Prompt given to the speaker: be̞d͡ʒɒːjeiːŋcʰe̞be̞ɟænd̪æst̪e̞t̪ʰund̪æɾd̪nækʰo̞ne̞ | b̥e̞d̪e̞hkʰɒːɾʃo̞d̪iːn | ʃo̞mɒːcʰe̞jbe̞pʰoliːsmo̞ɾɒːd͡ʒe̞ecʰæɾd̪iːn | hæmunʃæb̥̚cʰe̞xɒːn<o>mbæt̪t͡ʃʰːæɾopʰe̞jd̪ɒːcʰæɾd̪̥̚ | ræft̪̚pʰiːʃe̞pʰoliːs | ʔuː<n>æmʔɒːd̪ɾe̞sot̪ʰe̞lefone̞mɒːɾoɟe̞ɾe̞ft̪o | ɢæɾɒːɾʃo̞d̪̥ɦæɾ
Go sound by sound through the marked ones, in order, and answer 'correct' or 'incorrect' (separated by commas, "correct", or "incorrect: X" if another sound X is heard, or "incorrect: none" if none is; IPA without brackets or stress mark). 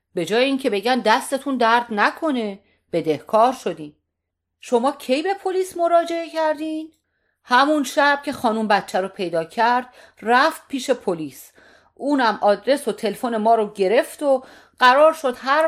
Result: incorrect: u, correct